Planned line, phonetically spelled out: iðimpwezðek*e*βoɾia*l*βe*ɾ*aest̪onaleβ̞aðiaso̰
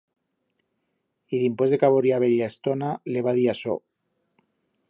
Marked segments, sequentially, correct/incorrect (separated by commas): incorrect, incorrect, incorrect